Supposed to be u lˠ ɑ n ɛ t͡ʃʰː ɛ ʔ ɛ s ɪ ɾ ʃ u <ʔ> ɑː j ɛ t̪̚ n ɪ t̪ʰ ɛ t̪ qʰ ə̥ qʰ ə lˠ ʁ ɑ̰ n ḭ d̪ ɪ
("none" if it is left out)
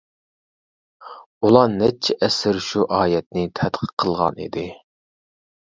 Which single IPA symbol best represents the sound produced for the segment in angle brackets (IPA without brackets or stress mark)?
ʔ